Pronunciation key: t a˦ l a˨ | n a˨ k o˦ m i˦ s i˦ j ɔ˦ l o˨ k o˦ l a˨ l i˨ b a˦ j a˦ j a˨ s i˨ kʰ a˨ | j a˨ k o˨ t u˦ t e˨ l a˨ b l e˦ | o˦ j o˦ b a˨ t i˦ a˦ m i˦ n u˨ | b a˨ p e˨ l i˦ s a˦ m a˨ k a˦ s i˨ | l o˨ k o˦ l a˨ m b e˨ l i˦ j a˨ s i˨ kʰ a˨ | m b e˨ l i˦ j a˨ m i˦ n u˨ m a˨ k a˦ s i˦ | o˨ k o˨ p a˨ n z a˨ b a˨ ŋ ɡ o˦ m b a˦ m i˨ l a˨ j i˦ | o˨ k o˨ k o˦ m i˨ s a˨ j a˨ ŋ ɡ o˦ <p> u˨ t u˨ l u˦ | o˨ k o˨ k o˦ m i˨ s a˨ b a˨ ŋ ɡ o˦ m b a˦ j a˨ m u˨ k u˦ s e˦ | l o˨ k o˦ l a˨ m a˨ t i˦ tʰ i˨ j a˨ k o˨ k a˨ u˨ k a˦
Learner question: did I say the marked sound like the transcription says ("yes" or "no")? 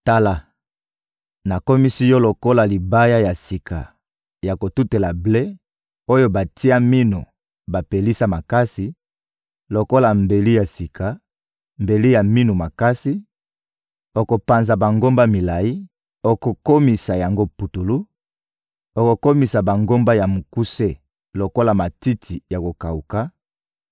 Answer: yes